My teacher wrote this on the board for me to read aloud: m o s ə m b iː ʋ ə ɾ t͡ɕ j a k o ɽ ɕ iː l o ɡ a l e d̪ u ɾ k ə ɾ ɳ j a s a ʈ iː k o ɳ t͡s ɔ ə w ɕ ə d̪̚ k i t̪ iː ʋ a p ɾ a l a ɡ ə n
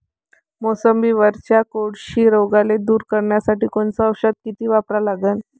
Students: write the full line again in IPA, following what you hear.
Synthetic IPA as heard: m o s ə m b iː ʋ ə ɾ t͡ɕ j a k o ɽ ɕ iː ɾ o ɡ a l e d̪ uː ɾ k ə ɾ ɳ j a s a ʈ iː k o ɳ t͡s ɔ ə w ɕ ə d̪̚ k i t̪ iː ʋ a p ɾ a l a ɡ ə n